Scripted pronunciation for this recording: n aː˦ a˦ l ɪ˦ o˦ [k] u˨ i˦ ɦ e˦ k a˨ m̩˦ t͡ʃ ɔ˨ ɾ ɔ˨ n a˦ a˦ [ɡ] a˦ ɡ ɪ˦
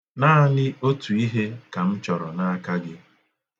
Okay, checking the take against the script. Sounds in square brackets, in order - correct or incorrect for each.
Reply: incorrect, incorrect

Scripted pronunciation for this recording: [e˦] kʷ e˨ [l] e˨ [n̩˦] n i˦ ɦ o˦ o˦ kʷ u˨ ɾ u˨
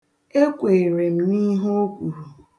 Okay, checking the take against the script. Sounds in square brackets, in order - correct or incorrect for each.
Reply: correct, incorrect, incorrect

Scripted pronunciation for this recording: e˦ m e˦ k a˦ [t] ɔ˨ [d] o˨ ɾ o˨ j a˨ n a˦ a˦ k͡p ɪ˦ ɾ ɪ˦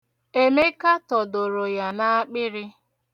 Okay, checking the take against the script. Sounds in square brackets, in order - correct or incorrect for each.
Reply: correct, correct

